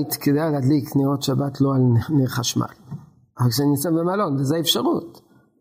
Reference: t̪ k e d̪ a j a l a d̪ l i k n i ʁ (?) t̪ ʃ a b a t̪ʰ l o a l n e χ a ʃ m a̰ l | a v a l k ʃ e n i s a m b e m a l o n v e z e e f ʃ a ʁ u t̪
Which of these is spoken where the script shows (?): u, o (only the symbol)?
o